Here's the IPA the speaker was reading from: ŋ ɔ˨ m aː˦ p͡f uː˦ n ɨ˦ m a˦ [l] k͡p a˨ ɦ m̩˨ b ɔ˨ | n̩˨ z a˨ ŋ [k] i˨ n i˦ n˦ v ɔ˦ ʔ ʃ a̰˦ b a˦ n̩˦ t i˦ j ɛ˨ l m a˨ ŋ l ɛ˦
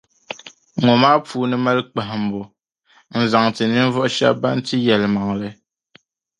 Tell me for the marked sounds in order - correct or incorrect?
correct, incorrect

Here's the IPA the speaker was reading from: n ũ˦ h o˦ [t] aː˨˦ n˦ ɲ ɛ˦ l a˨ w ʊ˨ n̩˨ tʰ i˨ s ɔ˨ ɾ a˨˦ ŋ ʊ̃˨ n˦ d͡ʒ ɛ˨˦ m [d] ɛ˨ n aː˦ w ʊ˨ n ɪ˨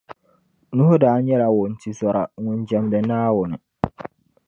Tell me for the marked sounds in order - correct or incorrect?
incorrect, correct

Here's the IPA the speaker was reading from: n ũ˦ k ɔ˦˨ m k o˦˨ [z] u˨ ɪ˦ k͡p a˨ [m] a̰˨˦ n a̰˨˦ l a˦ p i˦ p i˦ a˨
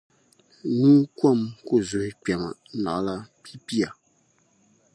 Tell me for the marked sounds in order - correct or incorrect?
correct, correct

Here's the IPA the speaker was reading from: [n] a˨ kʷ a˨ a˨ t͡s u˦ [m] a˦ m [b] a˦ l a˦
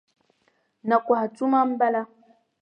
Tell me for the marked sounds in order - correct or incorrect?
correct, correct, correct

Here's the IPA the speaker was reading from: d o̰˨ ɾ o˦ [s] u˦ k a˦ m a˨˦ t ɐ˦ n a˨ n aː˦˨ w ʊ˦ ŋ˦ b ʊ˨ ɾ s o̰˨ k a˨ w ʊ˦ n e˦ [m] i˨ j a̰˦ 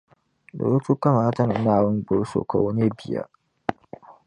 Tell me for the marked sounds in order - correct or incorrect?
incorrect, incorrect

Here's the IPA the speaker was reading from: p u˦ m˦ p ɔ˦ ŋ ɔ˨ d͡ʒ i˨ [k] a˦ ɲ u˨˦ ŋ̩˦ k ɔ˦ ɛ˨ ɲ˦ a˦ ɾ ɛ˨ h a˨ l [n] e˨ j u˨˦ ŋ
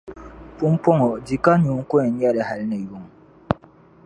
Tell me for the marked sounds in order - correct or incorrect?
correct, correct

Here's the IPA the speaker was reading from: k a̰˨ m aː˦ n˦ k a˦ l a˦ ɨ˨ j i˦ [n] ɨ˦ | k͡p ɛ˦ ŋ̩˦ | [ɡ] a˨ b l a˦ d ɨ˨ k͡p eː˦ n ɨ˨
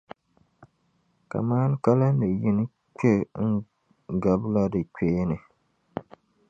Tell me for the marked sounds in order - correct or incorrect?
correct, correct

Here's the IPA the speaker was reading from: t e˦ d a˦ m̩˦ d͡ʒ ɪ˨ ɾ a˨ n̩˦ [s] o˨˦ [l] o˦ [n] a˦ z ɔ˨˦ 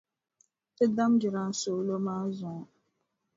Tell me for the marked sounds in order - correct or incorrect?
correct, correct, incorrect

